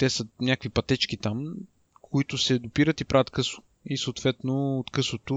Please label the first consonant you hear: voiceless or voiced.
voiceless